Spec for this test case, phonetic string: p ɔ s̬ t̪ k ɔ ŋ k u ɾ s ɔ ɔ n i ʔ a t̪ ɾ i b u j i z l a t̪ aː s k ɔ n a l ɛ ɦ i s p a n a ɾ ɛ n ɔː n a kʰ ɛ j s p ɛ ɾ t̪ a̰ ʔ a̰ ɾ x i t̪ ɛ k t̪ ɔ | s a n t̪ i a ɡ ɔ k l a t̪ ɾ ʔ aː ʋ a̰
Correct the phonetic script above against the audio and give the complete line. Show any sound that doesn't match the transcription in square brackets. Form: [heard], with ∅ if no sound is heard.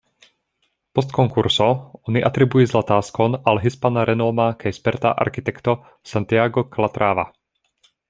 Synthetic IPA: p ɔ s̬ t̪ k ɔ ŋ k u ɾ s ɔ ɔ n i ʔ a t̪ ɾ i b u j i z l a t̪ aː s k ɔ n a l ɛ ɦ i s p a n a ɾ ɛ n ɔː [m] a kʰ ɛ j s p ɛ ɾ t̪ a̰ ʔ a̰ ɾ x i t̪ ɛ k t̪ ɔ | s a n t̪ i a ɡ ɔ k l a t̪ ɾ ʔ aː ʋ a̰

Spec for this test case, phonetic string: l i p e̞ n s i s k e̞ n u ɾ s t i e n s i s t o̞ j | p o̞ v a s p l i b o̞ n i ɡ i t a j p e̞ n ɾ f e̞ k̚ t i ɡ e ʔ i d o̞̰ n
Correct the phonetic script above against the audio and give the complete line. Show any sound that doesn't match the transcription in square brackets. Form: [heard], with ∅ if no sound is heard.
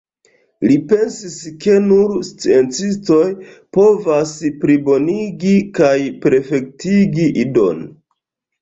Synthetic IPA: l i p e̞ n s i s k e̞ n u ɾ s [t͡s] i e n [t͡s] i s t o̞ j | p o̞ v a s p [ɾ] i b o̞ n i ɡ i [k] a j p e̞ [∅] ɾ f e̞ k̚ t i ɡ [i] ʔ i d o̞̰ n

